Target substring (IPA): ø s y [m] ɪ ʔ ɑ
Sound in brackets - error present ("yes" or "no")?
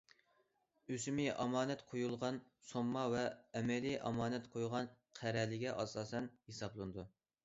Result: no